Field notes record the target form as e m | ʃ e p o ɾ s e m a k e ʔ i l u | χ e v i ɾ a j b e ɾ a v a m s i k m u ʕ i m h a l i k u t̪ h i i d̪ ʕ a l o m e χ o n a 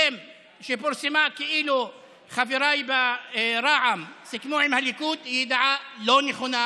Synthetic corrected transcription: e m | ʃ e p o ɾ s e m a k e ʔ i l u | χ a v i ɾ a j b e ɾ a ʕ a m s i k m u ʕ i m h a l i k u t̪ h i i d̪ ʕ a l o n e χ o n a

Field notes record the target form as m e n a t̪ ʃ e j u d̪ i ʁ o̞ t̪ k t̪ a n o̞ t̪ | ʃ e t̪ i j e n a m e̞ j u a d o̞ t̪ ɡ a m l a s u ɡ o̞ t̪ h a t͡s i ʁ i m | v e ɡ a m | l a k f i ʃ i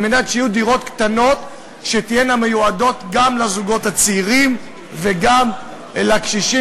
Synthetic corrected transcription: m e n a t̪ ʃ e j u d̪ i ʁ o̞ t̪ k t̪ a n o̞ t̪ | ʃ e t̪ i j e n a m e̞ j u a d o̞ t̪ ɡ a m l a z u ɡ o̞ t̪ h a t͡s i ʁ i m | v e ɡ a m | l a k ʃ i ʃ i

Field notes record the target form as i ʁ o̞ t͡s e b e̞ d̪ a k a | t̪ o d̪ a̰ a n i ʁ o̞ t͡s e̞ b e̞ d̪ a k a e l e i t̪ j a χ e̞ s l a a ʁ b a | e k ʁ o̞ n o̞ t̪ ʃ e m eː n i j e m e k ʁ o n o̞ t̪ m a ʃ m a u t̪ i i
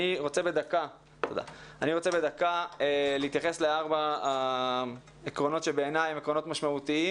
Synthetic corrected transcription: i ʁ o̞ t͡s e b e̞ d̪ a k a | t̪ o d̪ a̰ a n i ʁ o̞ t͡s e̞ b e̞ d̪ a k a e l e i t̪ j a χ e̞ s l e a ʁ b a | e k ʁ o̞ n o̞ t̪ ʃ e b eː n a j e m e k ʁ o n o̞ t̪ m a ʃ m a u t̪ i i

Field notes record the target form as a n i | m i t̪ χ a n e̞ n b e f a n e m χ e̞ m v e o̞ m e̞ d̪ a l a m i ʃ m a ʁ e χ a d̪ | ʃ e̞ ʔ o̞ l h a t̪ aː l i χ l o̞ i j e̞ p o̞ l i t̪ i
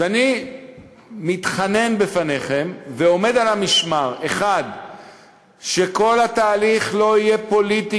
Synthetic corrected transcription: a n i | m i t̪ χ a n e̞ n b e f a n e χ e̞ m v e o̞ m e̞ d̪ a l a m i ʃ m a ʁ e χ a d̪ | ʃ e̞ k o̞ l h a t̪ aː l i χ l o̞ i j e̞ p o̞ l i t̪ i

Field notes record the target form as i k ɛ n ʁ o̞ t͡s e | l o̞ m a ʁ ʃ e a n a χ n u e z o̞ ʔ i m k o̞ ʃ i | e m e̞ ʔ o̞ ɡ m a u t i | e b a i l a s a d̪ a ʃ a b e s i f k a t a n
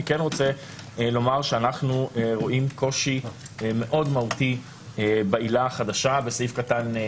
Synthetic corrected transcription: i k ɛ n ʁ o̞ t͡s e | l o̞ m a ʁ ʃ e a n a χ n u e ʁ o̞ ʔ i m k o̞ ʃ i | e m e̞ ʔ o̞ d m a u t i | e b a i l a χ a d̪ a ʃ a b e s i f k a t a n

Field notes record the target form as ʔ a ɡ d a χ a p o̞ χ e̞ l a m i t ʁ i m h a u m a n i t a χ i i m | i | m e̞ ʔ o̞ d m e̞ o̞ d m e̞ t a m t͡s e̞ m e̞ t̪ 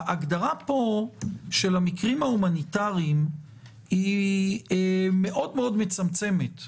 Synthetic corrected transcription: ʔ a ɡ d a ʁ a p o̞ ʃ e̞ l a m i k ʁ i m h a u m a n i t a ʁ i i m | i | m e̞ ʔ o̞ d m e̞ o̞ d m e̞ t͡s a m t͡s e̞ m e̞ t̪

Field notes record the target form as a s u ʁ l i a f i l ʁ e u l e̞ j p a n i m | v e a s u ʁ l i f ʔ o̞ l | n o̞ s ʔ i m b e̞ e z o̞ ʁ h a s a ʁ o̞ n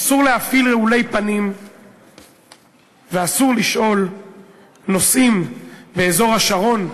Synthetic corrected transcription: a s u ʁ l e a f i l ʁ e u l e̞ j p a n i m | v e a s u ʁ l i ʃ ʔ o̞ l | n o̞ s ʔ i m b e̞ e z o̞ ʁ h a ʃ a ʁ o̞ n

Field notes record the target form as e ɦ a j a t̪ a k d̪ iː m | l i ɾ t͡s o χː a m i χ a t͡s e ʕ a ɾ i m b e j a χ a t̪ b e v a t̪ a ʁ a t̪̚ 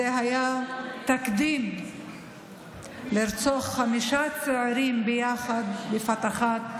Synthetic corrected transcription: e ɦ a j a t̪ a k d̪ i m | l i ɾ t͡s o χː a m i ʃ a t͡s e ʕ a ɾ i m b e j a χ a d̪ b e f a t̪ a χ a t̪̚

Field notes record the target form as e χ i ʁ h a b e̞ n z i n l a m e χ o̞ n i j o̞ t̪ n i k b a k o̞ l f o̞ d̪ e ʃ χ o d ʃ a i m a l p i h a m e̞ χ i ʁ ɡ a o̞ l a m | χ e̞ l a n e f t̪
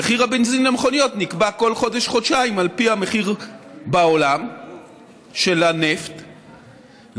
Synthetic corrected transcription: e χ i ʁ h a b e̞ n z i n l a m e χ o̞ n i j o̞ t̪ n i k b a k o̞ l χ o̞ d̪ e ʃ χ o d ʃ a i m a l p i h a m e̞ χ i ʁ b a o̞ l a m | ʃ e̞ l a n e f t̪

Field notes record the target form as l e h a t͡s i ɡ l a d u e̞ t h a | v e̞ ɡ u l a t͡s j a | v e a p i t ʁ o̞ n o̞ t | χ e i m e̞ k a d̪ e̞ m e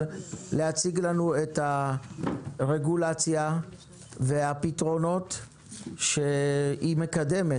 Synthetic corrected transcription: l e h a t͡s i ɡ l a n u e̞ t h a | ʁ e̞ ɡ u l a t͡s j a | v e a p i t ʁ o̞ n o̞ t | ʃ e i m e̞ k a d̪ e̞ m e

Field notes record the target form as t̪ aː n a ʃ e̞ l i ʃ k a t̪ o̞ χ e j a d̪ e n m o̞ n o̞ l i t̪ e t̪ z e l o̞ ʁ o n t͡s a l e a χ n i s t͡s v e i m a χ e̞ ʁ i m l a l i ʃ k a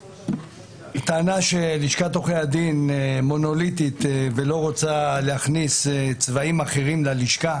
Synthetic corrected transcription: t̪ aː n a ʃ e̞ l i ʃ k a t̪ o̞ χ e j a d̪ i n m o̞ n o̞ l i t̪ i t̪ v e l o̞ ʁ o t͡s a l e a χ n i s t͡s v a i m a χ e̞ ʁ i m l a l i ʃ k a

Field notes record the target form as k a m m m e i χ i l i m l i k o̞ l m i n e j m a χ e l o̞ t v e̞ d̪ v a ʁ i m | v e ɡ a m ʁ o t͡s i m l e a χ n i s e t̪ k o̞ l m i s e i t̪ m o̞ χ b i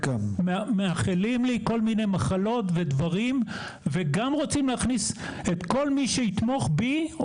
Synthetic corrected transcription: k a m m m e a χ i l i m l i k o̞ l m i n e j m a χ a l o̞ t v e̞ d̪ v a ʁ i m | v e ɡ a m ʁ o t͡s i m l e a χ n i s e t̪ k o̞ l m i ʃ e i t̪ m o̞ χ b i

